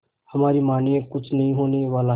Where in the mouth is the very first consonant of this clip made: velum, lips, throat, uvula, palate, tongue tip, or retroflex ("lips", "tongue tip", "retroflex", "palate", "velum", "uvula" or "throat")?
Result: throat